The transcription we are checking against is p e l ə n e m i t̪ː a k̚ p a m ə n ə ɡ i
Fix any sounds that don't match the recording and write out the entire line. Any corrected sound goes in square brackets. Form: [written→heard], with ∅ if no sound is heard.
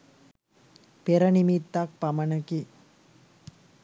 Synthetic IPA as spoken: p e [l→ɾ] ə n [e→i] m i t̪ː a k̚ p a m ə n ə [ɡ→k] i

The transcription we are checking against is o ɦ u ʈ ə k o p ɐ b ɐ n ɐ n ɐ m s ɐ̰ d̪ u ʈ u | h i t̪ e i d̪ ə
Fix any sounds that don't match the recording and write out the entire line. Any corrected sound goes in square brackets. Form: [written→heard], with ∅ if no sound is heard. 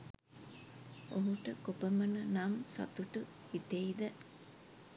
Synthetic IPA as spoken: o ɦ u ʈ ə k o p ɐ [b→m] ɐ n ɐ n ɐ m s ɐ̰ [d̪→t̪] u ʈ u | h i t̪ e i d̪ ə

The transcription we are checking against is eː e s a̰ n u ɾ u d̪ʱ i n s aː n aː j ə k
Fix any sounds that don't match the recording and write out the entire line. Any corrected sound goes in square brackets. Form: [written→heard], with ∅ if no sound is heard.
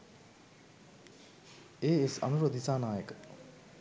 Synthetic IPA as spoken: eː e s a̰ n u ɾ [u→o] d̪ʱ i [n→∅] s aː n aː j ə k

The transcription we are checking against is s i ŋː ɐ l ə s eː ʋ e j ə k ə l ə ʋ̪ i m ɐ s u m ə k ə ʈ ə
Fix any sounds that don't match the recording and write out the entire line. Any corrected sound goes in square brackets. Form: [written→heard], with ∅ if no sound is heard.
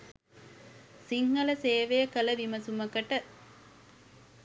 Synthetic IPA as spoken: s i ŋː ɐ l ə s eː ʋ e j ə k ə l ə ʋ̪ i m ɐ s u m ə k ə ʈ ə

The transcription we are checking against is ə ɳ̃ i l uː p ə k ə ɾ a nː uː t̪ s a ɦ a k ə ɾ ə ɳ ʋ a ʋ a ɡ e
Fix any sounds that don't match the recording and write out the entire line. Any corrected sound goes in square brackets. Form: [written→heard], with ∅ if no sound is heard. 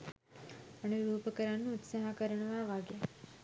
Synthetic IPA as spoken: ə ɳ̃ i [l→ɾ] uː p ə k ə ɾ a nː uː t̪ s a ɦ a k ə ɾ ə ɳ ʋ a ʋ a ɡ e

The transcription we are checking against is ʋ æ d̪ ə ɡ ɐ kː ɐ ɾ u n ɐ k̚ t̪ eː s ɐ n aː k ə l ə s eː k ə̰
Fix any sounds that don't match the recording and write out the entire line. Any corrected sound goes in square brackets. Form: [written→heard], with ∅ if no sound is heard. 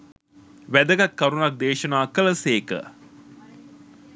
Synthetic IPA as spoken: ʋ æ d̪ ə ɡ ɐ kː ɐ ɾ u n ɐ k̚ [t̪→d̪] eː [s→ʃ] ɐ n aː k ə l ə s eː k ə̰

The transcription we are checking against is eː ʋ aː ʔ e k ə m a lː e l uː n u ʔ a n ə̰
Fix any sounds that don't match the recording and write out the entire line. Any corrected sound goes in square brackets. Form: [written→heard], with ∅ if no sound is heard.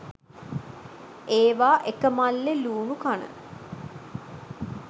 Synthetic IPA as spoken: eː ʋ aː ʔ e k ə m a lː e l uː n u [ʔ→k] a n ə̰

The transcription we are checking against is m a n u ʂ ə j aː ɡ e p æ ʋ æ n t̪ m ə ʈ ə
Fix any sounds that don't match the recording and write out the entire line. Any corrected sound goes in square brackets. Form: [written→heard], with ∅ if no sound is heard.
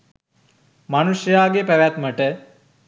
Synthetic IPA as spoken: m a n u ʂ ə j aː ɡ e p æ ʋ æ [n→∅] t̪ m ə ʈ ə

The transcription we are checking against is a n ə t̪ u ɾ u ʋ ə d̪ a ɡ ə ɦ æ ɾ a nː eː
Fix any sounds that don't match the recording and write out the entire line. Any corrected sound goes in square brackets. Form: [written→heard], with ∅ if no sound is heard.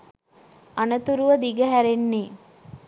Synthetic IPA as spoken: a n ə t̪ u ɾ u ʋ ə d̪ [a→i] ɡ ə ɦ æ ɾ [a→e] nː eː

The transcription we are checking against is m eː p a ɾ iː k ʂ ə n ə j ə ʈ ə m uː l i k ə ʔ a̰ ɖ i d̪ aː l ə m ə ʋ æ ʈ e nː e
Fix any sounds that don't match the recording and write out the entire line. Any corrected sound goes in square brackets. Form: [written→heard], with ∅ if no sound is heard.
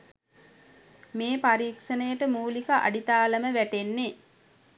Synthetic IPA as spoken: m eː p a ɾ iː k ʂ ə n ə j ə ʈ ə m uː l i k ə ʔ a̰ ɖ i [d̪→t̪] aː l ə m ə ʋ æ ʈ e nː e

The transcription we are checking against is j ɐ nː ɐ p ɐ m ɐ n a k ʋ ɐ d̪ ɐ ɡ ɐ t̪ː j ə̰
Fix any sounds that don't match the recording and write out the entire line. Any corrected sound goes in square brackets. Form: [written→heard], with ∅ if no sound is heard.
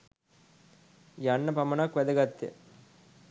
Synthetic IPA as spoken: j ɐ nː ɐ p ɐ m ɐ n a k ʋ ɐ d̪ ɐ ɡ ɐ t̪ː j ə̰

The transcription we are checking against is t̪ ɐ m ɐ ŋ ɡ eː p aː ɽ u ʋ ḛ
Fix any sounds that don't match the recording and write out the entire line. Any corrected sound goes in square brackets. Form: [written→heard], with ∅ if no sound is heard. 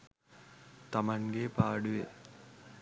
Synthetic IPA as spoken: t̪ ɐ m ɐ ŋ ɡ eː p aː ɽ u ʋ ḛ

